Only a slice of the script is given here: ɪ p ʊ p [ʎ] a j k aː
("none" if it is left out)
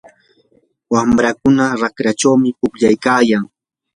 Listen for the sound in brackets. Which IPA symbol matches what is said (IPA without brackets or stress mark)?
ʎ